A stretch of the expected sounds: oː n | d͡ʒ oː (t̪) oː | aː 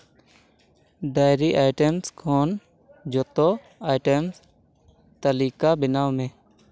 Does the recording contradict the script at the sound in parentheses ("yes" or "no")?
no